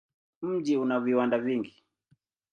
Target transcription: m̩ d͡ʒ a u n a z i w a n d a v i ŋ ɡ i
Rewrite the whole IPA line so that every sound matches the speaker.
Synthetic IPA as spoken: m̩ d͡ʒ i u n a v i w a n d a v i ŋ ɡ i

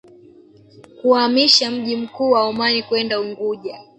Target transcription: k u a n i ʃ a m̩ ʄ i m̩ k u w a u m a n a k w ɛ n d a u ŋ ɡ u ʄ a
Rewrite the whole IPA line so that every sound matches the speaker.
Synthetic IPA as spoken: k u a m i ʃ a m̩ ʄ i m̩ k uː w a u m a n i k w ɛ n d a u ŋ ɡ u ʄ a

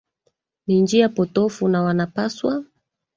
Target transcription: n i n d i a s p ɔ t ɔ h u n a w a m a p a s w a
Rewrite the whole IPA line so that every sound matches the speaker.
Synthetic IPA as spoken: n i n d͡ʒ i a p ɔ t ɔ f u n a w a n a p a s w a

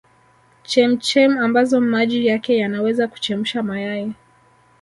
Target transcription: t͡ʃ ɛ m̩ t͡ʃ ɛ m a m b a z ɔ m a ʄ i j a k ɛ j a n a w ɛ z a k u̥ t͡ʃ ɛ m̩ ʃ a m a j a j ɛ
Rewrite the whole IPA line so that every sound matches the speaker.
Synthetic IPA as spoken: t͡ʃ ɛ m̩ t͡ʃ ɛ m a m b a z ɔ m a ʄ i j a k ɛ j a n a w ɛ z a k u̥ t͡ʃ ɛ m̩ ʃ a m a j a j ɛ

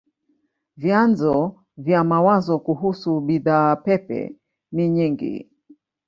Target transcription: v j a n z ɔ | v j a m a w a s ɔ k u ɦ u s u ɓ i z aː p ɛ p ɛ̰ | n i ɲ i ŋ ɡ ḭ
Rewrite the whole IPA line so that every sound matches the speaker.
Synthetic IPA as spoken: v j a n z ɔ | v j a m a w a z ɔ k u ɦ u s u ɓ i ð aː p ɛ p ɛ̰ | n i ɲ i ŋ ɡ ḭ

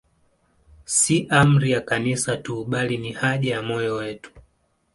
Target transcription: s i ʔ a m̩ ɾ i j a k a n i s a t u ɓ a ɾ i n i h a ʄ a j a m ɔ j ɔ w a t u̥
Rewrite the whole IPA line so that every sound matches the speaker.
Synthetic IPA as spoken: s i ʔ a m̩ ɾ i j a k a n i s a t u ɓ a l i n i h a ʄ a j a m ɔ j ɔ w ɛ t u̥

